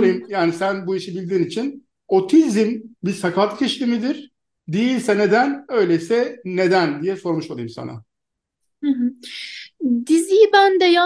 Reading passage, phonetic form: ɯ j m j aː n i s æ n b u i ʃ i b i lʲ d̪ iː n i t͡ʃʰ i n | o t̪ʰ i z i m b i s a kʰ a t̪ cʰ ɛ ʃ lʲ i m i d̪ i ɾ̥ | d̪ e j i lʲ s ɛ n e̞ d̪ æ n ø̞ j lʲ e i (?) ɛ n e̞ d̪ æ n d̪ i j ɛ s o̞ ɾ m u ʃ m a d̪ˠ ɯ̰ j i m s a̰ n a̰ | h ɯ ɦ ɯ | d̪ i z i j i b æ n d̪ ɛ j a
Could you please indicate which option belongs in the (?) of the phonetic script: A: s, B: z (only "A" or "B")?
A